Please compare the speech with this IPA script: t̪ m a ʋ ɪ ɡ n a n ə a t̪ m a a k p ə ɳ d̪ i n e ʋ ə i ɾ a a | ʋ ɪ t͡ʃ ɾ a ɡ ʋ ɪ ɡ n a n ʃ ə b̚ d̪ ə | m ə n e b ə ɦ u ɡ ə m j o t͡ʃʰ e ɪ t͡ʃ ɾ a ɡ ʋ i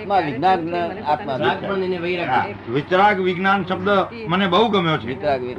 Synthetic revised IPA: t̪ m a ʋ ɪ ɡ n a n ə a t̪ m a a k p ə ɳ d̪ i n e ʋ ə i ɾ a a | ʋ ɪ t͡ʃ ɾ a ɡ ʋ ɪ ɡ n a n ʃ ə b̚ d̪ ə | m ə n e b ə ɦ u ɡ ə m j o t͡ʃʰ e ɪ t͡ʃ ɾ a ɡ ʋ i